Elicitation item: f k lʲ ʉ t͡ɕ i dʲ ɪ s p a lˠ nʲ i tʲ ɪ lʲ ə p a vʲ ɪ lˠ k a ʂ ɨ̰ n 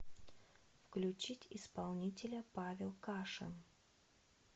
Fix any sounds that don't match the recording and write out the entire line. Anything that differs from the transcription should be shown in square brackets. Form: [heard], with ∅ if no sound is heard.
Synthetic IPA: f k lʲ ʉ t͡ɕ i [tʲ] ɪ s p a lˠ nʲ i tʲ ɪ lʲ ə p a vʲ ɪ lˠ k a ʂ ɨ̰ n

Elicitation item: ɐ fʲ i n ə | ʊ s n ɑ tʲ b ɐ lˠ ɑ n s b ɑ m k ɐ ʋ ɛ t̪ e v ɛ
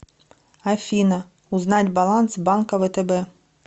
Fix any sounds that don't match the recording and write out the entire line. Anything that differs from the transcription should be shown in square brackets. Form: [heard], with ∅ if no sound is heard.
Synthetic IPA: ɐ fʲ i n [ɐ] | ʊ [z] n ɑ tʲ b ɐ lˠ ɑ n s b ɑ [n] k ɐ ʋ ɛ t̪ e [b] ɛ

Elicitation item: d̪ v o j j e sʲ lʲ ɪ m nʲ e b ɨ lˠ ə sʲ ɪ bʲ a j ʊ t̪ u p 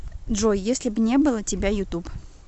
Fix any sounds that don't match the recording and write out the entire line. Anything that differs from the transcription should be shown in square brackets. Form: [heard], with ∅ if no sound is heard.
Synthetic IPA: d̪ [ʐ] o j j e sʲ lʲ ɪ [b] nʲ e b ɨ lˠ ə [tʲ] ɪ bʲ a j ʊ t̪ u p

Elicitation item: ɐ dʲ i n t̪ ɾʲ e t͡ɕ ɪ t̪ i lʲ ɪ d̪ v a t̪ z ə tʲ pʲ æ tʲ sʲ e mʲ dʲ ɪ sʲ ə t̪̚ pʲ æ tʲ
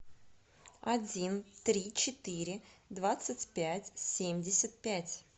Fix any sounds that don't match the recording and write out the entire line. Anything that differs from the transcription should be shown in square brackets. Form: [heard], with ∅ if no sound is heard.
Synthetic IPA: ɐ dʲ i n t̪ ɾʲ [i] t͡ɕ ɪ t̪ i [ɾʲ] ɪ d̪ v a t̪ [s] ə tʲ pʲ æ tʲ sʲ e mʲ dʲ ɪ sʲ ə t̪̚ pʲ æ tʲ

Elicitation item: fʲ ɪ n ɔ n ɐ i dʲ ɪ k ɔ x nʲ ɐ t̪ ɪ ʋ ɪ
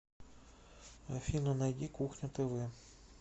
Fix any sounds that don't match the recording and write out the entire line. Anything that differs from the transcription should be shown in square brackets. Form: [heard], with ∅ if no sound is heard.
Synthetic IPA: fʲ [i] n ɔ n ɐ [j] dʲ [i] k [u] x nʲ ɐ t̪ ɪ ʋ ɪ

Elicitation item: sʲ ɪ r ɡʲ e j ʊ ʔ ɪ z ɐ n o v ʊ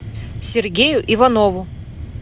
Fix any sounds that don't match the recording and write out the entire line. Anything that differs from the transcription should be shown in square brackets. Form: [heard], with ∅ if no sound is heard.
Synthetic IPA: sʲ ɪ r ɡʲ e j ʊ ʔ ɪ [v] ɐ n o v ʊ

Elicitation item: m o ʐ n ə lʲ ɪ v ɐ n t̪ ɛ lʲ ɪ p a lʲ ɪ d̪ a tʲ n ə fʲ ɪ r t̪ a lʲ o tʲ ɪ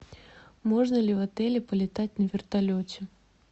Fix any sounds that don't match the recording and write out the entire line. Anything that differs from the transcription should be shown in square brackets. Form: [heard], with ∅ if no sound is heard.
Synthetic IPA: m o ʐ n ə lʲ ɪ v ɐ [∅] t̪ ɛ lʲ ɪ p [ə] lʲ ɪ [t̪] a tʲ n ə [vʲ] ɪ r t̪ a lʲ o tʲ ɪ

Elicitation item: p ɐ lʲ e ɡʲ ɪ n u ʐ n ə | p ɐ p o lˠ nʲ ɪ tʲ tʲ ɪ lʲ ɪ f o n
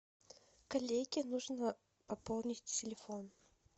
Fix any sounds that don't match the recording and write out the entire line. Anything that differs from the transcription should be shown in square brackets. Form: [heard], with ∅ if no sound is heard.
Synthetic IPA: [k] ɐ lʲ e ɡʲ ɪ n u ʐ n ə | p ɐ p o lˠ nʲ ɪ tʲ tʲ ɪ lʲ ɪ f o n

